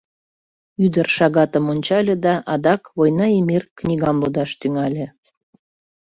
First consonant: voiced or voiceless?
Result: voiced